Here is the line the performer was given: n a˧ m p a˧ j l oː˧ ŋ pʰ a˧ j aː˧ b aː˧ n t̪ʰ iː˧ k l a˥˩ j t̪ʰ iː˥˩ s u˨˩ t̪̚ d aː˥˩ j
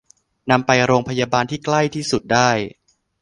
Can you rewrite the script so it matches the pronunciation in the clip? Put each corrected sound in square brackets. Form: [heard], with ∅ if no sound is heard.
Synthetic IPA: n a˧ m p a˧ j [ɾ] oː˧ ŋ pʰ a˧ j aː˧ b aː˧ n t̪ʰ [iː˥˩] k l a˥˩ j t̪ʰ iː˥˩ s u˨˩ t̪̚ d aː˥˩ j